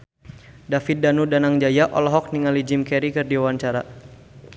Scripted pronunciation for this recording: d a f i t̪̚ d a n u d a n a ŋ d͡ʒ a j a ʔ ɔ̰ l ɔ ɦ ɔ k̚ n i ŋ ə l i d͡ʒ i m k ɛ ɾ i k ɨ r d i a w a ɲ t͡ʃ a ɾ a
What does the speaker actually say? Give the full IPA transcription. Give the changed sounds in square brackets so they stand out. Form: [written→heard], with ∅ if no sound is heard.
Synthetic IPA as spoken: d a f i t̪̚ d a n u d a n a ŋ d͡ʒ a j a ʔ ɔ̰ l ɔ ɦ ɔ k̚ n i ŋ [ə→a] l i d͡ʒ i m k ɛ ɾ i k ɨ r d i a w a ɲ t͡ʃ a ɾ a